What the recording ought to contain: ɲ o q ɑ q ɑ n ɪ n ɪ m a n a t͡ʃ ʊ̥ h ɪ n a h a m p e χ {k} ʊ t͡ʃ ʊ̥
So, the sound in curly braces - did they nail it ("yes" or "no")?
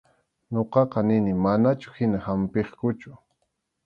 yes